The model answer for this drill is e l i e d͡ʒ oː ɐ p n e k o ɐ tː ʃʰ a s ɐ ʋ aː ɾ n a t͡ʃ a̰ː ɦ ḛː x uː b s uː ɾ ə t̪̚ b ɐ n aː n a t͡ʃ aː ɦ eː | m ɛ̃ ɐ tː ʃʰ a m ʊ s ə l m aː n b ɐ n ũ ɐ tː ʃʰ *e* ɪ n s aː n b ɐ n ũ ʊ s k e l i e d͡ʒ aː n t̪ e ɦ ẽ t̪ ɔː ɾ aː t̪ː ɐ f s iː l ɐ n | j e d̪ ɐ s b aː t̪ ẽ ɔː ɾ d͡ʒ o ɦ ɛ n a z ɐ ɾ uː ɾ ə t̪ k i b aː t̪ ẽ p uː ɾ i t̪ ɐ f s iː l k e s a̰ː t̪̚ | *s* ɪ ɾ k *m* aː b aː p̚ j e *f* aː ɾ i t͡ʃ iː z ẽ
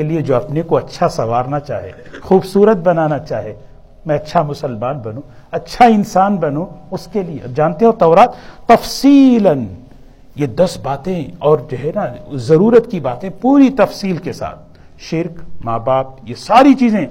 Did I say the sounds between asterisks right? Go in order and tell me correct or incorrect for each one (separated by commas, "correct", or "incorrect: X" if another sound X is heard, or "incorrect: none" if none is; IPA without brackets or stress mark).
incorrect: a, incorrect: ʃ, correct, incorrect: s